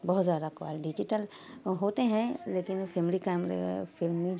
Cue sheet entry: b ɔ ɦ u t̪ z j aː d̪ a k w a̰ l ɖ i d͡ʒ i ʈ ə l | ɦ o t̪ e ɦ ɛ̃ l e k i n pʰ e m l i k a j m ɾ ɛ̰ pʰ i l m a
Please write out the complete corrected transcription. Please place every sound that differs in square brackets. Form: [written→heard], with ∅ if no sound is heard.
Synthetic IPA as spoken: b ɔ ɦ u t̪ z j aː d̪ a k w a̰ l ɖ i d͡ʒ i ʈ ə l | ɦ o t̪ e ɦ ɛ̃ l e k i n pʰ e m l i k a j m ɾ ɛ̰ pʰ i l m [a→i]